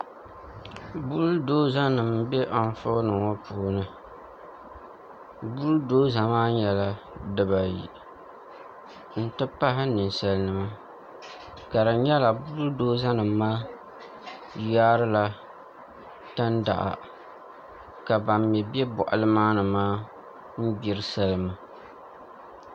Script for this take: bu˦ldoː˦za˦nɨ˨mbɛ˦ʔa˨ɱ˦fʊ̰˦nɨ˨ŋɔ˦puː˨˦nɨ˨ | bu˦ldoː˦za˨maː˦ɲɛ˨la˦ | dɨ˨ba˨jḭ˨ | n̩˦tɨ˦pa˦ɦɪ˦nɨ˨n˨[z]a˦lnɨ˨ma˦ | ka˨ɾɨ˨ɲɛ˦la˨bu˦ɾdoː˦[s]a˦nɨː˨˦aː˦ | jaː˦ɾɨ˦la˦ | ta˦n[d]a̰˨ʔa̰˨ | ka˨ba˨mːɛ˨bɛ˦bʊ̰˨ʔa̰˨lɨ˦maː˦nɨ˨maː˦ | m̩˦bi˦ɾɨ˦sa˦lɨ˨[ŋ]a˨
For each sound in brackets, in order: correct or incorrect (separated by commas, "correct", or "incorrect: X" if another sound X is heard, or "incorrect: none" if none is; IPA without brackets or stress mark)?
incorrect: s, incorrect: z, correct, incorrect: m